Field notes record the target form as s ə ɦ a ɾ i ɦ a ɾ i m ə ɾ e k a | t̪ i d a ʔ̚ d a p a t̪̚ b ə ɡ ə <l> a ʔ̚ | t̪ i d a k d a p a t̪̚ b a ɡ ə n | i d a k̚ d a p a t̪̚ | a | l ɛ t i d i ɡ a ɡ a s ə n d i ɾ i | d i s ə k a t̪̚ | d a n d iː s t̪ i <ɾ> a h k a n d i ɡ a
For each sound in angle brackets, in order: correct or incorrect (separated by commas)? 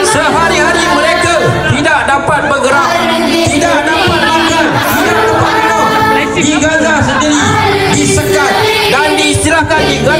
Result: incorrect, correct